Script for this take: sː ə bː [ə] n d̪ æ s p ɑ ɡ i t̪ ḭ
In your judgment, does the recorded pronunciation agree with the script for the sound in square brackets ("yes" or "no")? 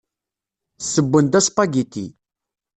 yes